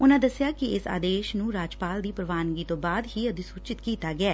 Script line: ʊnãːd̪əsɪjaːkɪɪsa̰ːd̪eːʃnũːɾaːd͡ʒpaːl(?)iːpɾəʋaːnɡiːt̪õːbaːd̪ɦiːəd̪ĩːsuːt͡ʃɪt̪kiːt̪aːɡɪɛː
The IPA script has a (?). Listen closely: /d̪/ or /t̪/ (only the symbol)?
d̪